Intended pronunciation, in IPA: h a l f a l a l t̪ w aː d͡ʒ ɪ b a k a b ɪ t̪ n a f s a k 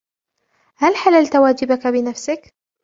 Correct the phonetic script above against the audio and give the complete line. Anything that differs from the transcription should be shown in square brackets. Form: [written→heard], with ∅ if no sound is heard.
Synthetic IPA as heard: h a l [f→ħ] a l a l t̪ w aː d͡ʒ ɪ b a k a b ɪ [t̪→∅] n a f s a k